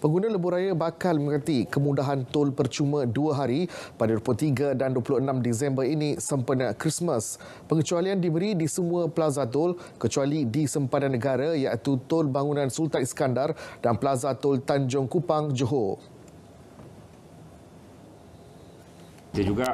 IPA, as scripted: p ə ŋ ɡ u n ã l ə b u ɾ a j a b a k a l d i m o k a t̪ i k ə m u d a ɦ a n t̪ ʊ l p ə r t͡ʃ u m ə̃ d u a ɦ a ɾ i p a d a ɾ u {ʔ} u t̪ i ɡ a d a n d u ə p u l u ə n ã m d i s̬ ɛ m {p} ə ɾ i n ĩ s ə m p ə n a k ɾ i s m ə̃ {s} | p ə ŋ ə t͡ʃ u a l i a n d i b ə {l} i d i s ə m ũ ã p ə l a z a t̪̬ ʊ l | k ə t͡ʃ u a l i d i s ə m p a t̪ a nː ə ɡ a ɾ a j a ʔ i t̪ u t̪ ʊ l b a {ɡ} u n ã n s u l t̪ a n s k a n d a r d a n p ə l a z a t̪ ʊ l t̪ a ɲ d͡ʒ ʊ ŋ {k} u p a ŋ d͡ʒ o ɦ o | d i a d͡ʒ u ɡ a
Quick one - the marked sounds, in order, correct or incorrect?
incorrect, incorrect, correct, incorrect, incorrect, correct

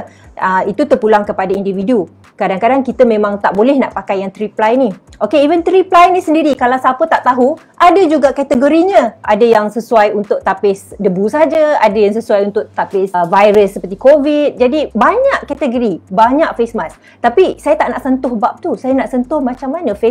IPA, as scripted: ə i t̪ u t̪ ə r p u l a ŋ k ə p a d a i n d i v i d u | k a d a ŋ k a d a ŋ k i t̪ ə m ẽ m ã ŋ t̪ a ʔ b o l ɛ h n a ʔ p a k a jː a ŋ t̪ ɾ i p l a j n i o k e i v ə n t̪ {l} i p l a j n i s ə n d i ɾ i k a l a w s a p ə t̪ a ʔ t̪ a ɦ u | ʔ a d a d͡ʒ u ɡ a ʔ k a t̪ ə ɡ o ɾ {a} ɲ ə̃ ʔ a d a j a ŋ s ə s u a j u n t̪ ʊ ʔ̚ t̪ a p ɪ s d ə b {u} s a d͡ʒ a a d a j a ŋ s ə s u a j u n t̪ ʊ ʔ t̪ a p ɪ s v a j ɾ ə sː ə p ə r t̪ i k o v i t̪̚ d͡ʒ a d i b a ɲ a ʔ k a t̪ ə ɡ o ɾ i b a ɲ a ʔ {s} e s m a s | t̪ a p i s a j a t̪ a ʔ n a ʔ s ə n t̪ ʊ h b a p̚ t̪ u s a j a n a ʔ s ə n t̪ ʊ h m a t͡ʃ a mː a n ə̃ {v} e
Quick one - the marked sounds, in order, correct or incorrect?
incorrect, incorrect, correct, incorrect, incorrect

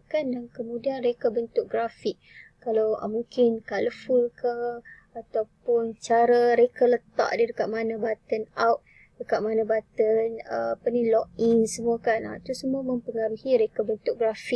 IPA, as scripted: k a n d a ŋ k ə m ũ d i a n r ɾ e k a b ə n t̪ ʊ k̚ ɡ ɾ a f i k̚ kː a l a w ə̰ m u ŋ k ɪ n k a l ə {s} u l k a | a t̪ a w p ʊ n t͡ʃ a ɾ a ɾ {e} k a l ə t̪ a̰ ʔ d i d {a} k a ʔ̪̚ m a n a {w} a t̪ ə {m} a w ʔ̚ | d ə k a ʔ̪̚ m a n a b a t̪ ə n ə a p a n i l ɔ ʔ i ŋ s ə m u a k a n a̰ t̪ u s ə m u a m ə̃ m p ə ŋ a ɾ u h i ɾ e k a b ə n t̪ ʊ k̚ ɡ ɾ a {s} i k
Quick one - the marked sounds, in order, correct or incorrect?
incorrect, correct, incorrect, incorrect, incorrect, incorrect

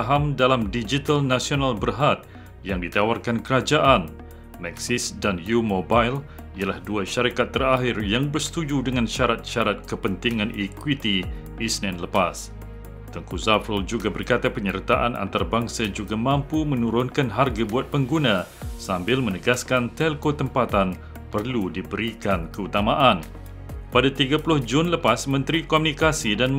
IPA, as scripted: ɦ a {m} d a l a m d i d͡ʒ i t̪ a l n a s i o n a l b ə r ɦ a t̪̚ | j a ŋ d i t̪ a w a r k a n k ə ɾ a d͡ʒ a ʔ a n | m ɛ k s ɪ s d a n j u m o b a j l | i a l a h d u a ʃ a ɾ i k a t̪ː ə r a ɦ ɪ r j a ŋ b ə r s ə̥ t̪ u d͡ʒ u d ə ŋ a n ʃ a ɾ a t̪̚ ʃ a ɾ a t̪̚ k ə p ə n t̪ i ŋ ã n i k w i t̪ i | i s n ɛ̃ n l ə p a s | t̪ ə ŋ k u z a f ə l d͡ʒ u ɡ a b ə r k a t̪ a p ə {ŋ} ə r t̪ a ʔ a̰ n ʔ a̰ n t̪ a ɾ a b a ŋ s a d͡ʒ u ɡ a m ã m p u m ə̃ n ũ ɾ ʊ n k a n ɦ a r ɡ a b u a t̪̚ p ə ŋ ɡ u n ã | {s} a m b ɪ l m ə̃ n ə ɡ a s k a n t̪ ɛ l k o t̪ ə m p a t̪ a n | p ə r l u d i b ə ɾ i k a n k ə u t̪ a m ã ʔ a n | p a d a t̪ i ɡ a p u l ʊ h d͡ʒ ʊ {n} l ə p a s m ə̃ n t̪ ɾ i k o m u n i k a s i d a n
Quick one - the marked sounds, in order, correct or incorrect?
correct, incorrect, correct, correct

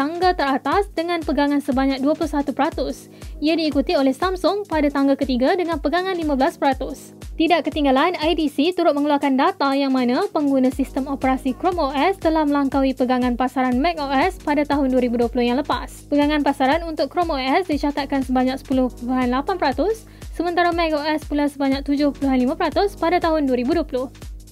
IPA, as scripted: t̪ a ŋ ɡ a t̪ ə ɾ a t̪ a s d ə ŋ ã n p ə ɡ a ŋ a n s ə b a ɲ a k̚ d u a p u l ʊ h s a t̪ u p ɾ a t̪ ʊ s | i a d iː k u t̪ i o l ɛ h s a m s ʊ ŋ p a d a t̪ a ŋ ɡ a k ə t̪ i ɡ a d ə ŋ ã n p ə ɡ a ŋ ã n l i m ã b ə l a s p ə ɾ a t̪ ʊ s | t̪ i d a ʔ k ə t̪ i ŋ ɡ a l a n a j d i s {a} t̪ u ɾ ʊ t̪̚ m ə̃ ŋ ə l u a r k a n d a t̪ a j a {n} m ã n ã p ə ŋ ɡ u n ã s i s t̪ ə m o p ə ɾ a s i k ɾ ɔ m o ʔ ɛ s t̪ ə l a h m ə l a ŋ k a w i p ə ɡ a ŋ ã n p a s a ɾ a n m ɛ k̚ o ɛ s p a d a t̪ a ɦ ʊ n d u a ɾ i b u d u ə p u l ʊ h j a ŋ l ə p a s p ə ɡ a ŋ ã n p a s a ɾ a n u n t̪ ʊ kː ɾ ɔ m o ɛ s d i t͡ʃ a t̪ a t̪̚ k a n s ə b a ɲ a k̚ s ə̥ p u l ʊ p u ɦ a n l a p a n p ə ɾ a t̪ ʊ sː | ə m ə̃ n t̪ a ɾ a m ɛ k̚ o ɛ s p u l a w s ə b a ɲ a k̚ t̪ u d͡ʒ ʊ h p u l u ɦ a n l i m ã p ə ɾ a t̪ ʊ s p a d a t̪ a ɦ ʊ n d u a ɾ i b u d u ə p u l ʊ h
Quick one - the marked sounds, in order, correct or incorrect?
incorrect, incorrect

